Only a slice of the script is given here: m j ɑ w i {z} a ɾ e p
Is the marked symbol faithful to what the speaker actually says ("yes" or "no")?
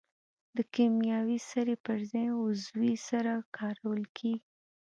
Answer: no